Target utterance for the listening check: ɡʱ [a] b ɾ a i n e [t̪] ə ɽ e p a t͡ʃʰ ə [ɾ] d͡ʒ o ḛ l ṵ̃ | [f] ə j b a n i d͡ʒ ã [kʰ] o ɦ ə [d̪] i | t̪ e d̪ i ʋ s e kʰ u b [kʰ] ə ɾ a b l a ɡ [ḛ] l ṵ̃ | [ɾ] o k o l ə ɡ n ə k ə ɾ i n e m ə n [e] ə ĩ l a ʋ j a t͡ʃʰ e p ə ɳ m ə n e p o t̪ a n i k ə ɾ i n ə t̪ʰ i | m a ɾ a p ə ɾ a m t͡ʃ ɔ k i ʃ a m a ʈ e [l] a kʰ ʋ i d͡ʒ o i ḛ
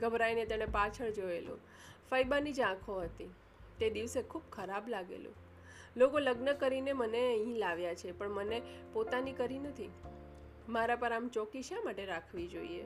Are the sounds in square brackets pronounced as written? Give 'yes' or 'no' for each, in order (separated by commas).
no, yes, no, yes, yes, no, yes, yes, no, yes, no